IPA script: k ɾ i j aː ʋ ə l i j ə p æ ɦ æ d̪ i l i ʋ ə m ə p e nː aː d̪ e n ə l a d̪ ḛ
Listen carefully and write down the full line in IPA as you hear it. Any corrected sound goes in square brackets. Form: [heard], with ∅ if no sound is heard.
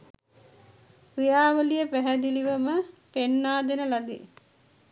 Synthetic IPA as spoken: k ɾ i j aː ʋ ə l i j ə p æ ɦ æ d̪ i l i ʋ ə m ə p e nː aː d̪ e n ə l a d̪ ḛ

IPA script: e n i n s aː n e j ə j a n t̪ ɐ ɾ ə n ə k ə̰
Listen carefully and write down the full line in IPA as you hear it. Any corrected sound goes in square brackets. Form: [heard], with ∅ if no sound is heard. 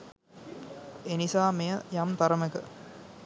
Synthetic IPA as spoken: e n i [∅] s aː [m] e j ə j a [m] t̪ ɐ ɾ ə [m] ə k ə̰

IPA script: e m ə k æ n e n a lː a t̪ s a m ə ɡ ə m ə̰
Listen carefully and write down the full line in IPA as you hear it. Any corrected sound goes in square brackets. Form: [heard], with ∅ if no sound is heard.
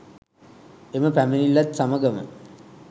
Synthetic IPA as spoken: e m ə [p] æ [m] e n [i] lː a t̪ s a m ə ɡ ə m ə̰

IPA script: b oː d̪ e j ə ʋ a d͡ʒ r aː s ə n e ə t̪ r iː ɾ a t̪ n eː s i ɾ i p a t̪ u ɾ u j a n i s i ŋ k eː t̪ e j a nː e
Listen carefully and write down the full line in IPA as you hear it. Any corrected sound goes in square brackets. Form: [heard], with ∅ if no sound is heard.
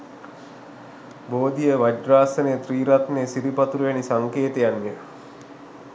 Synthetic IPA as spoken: b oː d̪ [i] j ə ʋ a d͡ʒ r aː s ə n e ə t̪ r iː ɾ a t̪ n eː s i ɾ i p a t̪ u ɾ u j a n i s [a] ŋ k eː t̪ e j a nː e

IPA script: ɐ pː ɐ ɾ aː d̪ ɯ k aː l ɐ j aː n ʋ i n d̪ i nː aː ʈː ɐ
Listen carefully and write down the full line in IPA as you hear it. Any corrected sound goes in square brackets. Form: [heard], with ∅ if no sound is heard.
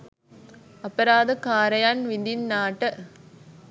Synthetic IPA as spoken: ɐ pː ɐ ɾ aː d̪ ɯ k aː [ɾ] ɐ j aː n ʋ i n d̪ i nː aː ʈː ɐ

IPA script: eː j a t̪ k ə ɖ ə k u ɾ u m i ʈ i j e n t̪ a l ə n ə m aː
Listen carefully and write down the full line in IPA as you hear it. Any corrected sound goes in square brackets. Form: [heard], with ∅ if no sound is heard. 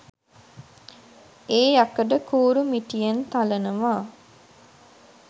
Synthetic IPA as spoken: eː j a [∅] k ə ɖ ə k [uː] ɾ u m i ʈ i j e n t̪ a l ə n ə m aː

